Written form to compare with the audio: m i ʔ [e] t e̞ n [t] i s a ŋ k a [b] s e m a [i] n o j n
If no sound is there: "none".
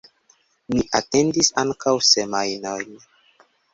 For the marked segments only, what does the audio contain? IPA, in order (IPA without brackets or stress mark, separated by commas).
a, d, w, j